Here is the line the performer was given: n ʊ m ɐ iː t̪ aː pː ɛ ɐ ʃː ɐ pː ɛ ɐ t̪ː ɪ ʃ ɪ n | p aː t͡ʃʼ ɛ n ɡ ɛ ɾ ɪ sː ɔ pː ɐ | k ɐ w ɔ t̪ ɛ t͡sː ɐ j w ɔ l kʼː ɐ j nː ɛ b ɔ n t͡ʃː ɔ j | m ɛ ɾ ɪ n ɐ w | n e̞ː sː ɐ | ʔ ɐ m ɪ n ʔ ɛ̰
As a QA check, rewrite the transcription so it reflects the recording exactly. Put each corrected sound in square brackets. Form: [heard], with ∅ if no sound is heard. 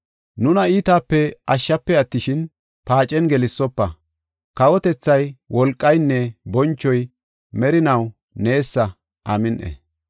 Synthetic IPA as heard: n ʊ [n] ɐ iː t̪ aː pː ɛ ɐ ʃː ɐ pː ɛ ɐ t̪ː ɪ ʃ ɪ n | p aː t͡ʃʼ ɛ n ɡ ɛ [l] ɪ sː ɔ pː ɐ | k ɐ w ɔ t̪ ɛ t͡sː ɐ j w ɔ l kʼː ɐ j nː ɛ b ɔ n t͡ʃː ɔ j | m ɛ ɾ ɪ n ɐ w | n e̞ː sː ɐ | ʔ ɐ m ɪ n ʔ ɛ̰